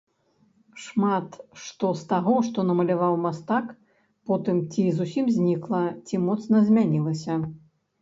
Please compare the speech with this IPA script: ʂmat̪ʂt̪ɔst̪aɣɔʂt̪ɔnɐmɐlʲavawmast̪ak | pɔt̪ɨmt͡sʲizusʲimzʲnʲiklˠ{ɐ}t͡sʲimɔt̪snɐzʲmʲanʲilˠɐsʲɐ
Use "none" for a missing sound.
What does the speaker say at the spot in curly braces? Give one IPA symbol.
ɐ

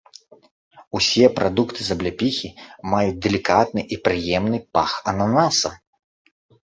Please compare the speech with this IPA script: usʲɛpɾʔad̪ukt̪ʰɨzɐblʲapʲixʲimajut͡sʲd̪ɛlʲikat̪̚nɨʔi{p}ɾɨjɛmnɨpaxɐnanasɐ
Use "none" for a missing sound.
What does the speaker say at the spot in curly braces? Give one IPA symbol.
p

